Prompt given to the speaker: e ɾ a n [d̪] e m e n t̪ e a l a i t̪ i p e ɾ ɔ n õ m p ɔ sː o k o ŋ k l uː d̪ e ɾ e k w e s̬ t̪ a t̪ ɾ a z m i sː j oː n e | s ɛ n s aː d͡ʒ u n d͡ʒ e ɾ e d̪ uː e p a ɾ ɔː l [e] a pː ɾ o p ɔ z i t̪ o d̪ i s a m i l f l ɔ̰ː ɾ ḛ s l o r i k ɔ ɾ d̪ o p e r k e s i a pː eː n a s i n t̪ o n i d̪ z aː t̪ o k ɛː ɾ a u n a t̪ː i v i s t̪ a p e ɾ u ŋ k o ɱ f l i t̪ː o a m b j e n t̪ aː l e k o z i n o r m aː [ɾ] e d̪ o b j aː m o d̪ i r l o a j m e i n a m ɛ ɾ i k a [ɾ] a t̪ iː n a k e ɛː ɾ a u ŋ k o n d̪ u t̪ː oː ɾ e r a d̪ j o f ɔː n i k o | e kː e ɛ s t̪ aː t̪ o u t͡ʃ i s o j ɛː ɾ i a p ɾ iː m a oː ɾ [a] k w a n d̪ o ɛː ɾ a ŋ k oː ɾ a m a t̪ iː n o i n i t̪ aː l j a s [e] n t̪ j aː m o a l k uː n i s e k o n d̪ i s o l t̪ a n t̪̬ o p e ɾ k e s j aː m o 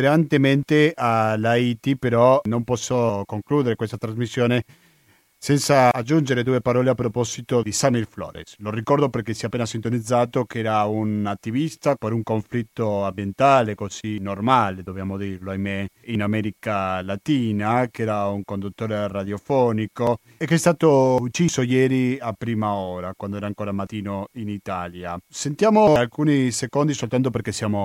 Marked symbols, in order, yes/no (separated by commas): no, yes, no, no, yes, yes